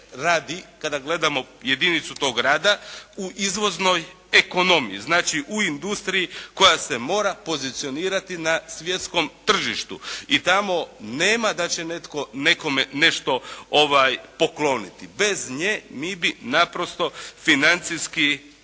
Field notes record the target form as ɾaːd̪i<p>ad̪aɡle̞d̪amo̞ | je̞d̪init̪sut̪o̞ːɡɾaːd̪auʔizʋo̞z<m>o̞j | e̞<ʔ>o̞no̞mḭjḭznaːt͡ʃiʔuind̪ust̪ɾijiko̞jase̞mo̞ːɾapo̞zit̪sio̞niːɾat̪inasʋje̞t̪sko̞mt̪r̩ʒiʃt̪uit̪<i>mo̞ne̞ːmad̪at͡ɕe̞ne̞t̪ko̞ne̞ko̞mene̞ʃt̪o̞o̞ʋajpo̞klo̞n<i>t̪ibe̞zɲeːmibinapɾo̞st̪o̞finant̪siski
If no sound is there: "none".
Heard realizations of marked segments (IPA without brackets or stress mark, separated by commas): k, n, k, a, i